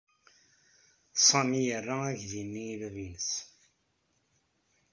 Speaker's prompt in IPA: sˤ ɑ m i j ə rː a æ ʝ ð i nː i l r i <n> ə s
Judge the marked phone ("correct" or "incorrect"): correct